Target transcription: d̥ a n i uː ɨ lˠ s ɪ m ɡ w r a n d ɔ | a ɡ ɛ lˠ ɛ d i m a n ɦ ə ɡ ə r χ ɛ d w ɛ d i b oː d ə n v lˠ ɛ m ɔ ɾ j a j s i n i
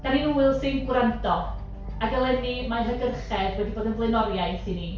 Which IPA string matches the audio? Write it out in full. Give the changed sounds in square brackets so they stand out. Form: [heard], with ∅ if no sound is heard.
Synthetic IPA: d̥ a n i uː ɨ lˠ s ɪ [n] ɡ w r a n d ɔ | a ɡ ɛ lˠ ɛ [n] i m a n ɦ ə ɡ ə r χ ɛ d w ɛ d i b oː d ə n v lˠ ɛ [n] ɔ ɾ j a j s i n i